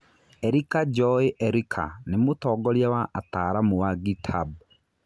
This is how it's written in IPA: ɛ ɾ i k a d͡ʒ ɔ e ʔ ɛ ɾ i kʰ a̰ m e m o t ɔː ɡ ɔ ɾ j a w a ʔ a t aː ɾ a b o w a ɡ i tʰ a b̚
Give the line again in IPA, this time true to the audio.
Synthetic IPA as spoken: ɛ ɾ i k a d͡ʒ ɔ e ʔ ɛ ɾ i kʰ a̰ n e m o t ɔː ɡ ɔ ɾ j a w a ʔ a t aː ɾ a m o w a ɡ i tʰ a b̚